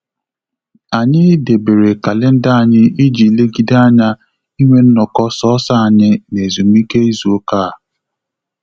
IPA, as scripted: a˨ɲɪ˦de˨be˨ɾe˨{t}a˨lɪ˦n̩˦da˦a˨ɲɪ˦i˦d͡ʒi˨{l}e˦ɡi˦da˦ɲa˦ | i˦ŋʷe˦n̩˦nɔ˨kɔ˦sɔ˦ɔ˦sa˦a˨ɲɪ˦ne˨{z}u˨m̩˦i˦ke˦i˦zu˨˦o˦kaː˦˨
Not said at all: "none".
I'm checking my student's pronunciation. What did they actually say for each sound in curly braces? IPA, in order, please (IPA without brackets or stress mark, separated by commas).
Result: k, l, z